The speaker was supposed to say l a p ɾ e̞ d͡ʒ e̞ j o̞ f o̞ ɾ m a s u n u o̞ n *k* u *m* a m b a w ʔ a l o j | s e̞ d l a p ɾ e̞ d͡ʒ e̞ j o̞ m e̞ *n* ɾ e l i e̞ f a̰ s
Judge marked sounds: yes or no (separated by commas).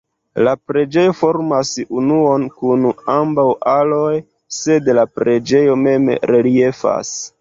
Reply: yes, no, no